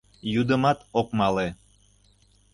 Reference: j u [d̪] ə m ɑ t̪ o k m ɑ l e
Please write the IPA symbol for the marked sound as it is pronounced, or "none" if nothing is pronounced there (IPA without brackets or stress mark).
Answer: d̪